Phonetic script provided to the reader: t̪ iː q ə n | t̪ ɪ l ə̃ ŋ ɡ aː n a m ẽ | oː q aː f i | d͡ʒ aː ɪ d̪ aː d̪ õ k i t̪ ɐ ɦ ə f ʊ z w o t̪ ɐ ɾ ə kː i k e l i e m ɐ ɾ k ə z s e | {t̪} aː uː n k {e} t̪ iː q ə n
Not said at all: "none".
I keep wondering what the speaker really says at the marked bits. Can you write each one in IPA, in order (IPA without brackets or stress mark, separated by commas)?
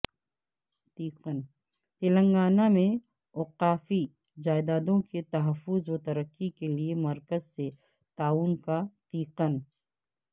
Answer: t̪, a